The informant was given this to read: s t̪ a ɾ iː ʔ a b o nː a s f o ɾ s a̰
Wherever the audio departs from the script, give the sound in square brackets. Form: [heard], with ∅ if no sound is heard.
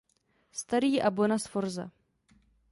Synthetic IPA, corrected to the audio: s t̪ a ɾ iː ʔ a b o [n] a s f o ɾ [z] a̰

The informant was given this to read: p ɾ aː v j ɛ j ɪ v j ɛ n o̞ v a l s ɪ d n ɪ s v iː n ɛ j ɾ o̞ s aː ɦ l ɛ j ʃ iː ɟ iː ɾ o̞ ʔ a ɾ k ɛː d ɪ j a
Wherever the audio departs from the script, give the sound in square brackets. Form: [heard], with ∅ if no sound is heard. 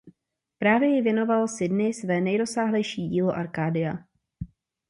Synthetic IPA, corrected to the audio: p ɾ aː v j ɛ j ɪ v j ɛ n o̞ v a l s ɪ d n ɪ s v [ɛː] n ɛ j ɾ o̞ s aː ɦ l ɛ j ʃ iː ɟ iː [l] o̞ ʔ a ɾ k [aː] d ɪ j a

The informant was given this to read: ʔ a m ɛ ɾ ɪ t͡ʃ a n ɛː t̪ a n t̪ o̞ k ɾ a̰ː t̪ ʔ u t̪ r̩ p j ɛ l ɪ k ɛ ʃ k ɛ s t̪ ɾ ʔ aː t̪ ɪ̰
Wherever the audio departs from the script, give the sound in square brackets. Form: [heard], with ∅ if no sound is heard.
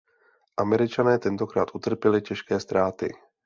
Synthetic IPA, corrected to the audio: ʔ a m ɛ ɾ ɪ t͡ʃ a n ɛː t̪ [ɛ] n t̪ o̞ k ɾ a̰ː t̪ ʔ u t̪ r̩ p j ɛ l ɪ [c] ɛ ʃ k [ɛː] s t̪ ɾ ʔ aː t̪ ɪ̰

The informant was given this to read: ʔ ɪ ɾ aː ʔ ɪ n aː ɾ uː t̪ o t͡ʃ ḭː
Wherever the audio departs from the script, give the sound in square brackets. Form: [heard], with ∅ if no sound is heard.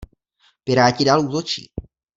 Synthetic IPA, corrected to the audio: [p] ɪ ɾ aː [c] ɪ [d] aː [l] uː t̪ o t͡ʃ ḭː

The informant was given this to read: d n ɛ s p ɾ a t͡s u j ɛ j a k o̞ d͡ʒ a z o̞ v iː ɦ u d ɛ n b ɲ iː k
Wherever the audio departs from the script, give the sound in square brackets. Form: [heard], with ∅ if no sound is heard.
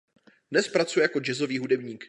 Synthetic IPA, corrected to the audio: d n ɛ s p ɾ a t͡s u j ɛ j a k o̞ d͡ʒ [ɛ] z o̞ v iː ɦ u d ɛ [∅] b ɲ iː k

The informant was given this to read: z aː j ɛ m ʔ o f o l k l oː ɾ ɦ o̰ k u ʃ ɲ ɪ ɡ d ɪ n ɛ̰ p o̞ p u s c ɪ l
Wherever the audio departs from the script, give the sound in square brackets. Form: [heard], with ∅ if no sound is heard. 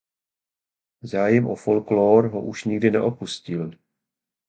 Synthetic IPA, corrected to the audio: z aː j ɛ m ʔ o f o l k l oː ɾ ɦ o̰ [ʔ] u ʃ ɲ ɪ ɡ d ɪ n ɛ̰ [ʔ] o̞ p u s c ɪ l

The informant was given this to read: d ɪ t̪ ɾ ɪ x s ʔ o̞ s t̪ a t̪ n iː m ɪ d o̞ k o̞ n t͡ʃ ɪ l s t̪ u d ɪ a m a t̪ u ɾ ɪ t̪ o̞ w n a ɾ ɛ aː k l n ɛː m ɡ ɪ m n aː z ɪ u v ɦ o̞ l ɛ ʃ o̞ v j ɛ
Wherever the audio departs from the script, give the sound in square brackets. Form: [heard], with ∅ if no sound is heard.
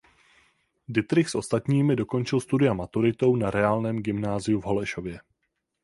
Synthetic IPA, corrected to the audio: d ɪ t̪ ɾ ɪ x s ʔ o̞ s t̪ a t̪ [ɲ] iː m ɪ d o̞ k o̞ n t͡ʃ ɪ l s t̪ u d ɪ a m a t̪ u ɾ ɪ t̪ o̞ w n a ɾ ɛ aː [∅] l n ɛː m ɡ ɪ m n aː z ɪ u v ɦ o̞ l ɛ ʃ o̞ v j ɛ

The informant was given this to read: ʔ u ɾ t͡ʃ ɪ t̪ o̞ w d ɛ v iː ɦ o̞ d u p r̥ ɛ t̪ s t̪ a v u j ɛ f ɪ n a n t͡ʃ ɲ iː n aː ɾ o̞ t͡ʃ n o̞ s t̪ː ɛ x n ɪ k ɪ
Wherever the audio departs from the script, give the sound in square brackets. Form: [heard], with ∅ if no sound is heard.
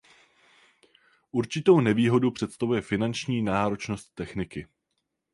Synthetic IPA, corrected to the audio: ʔ u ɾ t͡ʃ ɪ t̪ o̞ w [n] ɛ v iː ɦ o̞ d u p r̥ ɛ t̪ s t̪ a v u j ɛ f ɪ n a n t͡ʃ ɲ iː n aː ɾ o̞ t͡ʃ n o̞ s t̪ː ɛ x n ɪ k ɪ

